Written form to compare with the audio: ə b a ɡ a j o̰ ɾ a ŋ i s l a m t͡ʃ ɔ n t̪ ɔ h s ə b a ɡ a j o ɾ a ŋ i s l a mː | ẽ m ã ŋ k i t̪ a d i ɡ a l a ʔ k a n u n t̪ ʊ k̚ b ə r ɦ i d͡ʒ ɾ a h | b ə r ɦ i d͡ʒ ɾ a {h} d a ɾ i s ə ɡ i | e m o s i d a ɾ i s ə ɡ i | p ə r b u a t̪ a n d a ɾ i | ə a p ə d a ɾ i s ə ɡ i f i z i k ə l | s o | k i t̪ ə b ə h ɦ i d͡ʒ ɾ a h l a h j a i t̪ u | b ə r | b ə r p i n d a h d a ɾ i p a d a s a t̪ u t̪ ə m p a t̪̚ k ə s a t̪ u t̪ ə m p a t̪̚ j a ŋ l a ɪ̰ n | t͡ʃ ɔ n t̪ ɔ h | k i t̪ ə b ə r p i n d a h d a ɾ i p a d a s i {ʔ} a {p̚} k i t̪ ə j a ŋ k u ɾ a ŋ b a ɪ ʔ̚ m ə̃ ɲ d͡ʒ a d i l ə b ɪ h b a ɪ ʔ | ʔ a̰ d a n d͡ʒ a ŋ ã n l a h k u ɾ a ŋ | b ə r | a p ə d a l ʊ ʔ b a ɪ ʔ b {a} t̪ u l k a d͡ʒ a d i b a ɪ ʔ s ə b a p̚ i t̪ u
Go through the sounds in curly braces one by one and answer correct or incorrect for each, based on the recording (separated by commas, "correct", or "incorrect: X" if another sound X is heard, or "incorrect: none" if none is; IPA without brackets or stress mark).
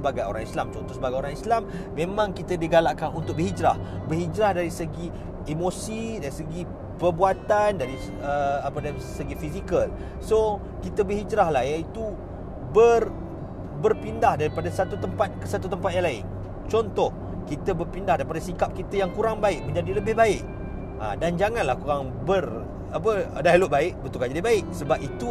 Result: correct, incorrect: k, correct, incorrect: ə